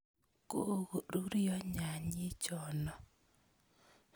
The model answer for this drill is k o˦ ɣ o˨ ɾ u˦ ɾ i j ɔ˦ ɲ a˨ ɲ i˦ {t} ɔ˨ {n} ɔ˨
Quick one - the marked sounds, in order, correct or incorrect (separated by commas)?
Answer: incorrect, correct